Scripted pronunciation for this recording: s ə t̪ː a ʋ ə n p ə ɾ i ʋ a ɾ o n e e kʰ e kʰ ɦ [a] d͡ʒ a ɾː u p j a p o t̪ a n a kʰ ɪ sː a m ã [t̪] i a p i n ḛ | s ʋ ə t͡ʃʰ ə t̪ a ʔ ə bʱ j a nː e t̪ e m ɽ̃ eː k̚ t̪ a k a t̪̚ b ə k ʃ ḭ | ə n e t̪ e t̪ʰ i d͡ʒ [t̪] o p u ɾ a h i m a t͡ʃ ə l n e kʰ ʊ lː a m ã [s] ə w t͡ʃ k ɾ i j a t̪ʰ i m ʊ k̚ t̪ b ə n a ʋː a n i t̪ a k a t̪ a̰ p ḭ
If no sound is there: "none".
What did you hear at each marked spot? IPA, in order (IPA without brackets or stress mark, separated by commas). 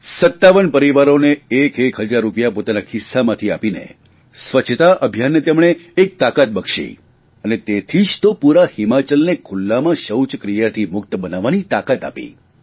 ə, t̪ʰ, t̪, ʃ